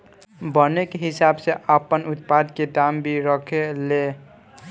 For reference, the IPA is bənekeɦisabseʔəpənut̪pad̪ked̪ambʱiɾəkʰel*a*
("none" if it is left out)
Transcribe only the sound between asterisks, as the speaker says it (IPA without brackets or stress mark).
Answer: e